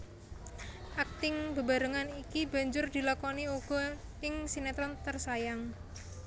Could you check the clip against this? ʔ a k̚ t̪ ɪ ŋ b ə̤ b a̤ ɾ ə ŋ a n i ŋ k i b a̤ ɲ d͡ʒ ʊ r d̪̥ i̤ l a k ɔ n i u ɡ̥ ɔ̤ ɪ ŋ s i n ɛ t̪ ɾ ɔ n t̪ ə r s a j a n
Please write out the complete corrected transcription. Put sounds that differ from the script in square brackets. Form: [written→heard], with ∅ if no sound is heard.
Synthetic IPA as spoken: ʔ a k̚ t̪ ɪ ŋ b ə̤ b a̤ ɾ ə ŋ a n i [ŋ→∅] k i b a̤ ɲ d͡ʒ ʊ r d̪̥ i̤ l a k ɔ n i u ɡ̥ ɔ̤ ɪ ŋ s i n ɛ t̪ ɾ ɔ n t̪ ə r s a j a [n→ŋ]

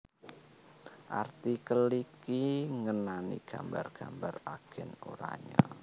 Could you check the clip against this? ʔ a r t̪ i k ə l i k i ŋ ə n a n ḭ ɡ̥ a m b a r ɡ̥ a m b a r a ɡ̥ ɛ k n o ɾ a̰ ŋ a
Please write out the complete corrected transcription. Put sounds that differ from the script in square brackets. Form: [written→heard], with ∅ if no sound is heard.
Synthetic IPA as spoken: ʔ a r t̪ i k ə l i k i ŋ ə n a n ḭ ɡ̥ a m b a r ɡ̥ a m b a r a ɡ̥ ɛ [k→∅] n o ɾ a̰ [ŋ→ɲ] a

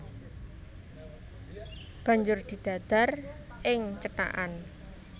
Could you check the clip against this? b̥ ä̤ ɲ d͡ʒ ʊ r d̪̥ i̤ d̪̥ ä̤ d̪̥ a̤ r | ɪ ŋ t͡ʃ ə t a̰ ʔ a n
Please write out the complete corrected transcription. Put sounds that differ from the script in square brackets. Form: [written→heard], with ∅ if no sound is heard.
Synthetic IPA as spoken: b̥ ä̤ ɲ d͡ʒ ʊ r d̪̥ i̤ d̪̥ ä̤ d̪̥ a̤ r | ɪ ŋ t͡ʃ ə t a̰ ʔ a n

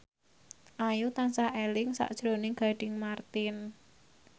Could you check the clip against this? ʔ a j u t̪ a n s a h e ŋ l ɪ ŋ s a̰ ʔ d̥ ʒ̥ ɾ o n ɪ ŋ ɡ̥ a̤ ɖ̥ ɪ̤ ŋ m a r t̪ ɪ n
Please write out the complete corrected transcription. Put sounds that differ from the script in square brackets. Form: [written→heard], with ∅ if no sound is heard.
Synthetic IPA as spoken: ʔ a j u t̪ a n s a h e [ŋ→∅] l ɪ ŋ s a̰ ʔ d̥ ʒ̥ ɾ o n ɪ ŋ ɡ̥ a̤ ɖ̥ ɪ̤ ŋ m a r t̪ ɪ n

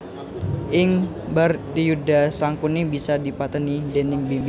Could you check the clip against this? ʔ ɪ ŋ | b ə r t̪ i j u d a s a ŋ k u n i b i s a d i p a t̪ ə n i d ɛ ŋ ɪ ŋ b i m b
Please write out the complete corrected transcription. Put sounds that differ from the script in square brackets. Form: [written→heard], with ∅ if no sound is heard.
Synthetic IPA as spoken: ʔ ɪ ŋ | b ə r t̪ i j u d a s a ŋ k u n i b i s a d i p a t̪ ə n i d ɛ [ŋ→n] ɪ ŋ b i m b

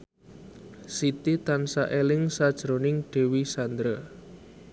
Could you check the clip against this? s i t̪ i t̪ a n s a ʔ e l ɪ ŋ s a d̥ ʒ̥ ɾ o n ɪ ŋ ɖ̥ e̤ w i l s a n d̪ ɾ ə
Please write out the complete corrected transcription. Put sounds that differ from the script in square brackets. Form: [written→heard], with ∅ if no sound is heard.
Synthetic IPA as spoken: s i t̪ i t̪ a n s a ʔ e l ɪ ŋ s a d̥ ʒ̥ ɾ o n ɪ ŋ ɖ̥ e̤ w i [l→∅] s a n d̪ ɾ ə

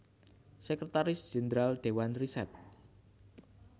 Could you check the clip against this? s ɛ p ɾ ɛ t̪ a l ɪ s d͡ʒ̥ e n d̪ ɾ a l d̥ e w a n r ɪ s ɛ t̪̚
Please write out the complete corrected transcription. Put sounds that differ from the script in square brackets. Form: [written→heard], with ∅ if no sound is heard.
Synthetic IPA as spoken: s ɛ [p→k] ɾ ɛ t̪ a [l→ɾ] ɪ s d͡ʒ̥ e n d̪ ɾ a l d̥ e w a n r [ɪ→i] s ɛ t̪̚

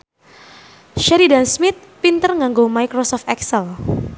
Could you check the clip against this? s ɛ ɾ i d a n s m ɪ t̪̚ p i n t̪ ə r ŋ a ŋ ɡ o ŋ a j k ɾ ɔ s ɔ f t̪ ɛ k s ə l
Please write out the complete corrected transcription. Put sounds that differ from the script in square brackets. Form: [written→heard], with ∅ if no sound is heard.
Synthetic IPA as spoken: [s→ʃ] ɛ ɾ i d a n s m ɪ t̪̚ p i n t̪ ə r ŋ a ŋ ɡ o [ŋ→m] a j k ɾ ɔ s ɔ f t̪ ɛ k s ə l

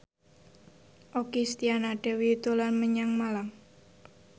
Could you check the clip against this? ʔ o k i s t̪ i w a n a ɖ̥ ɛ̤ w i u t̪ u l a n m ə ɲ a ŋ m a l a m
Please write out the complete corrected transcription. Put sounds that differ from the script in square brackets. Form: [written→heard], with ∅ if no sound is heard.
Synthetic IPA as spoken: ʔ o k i s t̪ i [w→∅] a n a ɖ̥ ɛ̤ w i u t̪ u l a n m ə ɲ a ŋ m a l a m

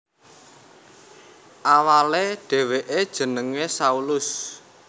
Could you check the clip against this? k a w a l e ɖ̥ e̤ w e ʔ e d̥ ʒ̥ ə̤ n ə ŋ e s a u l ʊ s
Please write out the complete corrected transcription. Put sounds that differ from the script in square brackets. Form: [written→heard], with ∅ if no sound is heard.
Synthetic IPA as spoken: [k→ʔ] a w a l e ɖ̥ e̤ w e ʔ e d̥ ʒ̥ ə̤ n ə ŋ e s a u l ʊ s

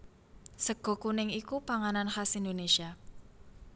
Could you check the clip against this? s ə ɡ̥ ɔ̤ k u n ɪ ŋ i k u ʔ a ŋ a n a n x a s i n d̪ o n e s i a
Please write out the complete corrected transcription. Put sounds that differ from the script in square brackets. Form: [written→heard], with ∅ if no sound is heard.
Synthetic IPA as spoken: s ə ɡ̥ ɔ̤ k u n ɪ ŋ i k u [ʔ→p] a ŋ a n a n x a s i n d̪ o n e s i a

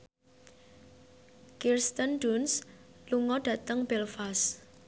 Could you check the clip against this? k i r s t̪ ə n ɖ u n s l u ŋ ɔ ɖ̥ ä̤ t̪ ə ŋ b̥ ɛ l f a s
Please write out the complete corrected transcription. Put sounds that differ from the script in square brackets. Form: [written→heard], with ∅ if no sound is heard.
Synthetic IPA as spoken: k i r s t̪ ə n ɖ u n s l u ŋ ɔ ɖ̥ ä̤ t̪ ə ŋ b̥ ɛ l f a s

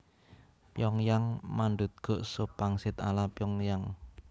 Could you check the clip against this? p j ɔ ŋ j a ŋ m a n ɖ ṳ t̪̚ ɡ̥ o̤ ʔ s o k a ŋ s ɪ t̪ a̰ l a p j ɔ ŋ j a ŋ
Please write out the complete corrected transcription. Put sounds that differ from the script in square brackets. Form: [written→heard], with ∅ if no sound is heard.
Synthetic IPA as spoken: p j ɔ ŋ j a ŋ m a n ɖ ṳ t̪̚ ɡ̥ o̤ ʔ s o [k→p] a ŋ s ɪ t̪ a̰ l a p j ɔ ŋ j a ŋ

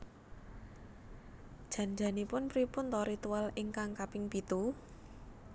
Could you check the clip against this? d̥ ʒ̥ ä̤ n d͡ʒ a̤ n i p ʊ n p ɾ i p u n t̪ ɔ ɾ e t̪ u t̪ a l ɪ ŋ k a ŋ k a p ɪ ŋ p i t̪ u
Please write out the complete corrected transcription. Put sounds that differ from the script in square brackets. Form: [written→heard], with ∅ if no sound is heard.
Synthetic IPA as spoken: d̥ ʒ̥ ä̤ n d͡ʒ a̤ n i p ʊ n p ɾ i p [u→ʊ] n t̪ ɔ ɾ [e→i] t̪ u [t̪→∅] a l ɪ ŋ k a ŋ k a p ɪ ŋ p i t̪ u

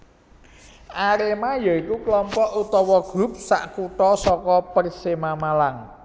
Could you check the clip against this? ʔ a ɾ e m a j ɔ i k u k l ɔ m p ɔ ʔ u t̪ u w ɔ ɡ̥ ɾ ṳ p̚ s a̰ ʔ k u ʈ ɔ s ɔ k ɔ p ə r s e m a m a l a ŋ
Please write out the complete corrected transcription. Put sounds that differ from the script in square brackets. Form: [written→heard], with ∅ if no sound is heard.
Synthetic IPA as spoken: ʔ a ɾ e m a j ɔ i k u k l ɔ m p ɔ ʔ u t̪ [u→ɔ] w ɔ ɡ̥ ɾ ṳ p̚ s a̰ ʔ k u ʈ ɔ s ɔ k ɔ p ə r s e m a m a l a ŋ

